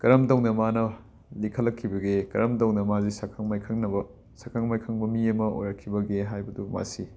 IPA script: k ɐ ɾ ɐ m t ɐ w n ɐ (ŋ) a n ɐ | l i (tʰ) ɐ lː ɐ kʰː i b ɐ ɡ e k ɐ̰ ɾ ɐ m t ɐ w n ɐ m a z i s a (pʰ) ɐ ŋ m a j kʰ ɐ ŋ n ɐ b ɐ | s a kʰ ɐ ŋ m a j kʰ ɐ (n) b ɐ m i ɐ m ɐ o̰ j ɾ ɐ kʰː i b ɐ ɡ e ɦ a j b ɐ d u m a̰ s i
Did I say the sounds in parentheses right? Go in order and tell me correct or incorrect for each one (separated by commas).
incorrect, incorrect, incorrect, incorrect